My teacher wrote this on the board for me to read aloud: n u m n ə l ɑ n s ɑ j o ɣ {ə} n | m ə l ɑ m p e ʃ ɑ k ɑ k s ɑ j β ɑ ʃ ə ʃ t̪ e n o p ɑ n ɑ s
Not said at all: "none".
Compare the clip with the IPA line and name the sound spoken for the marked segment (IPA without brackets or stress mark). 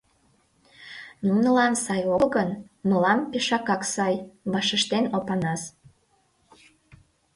ə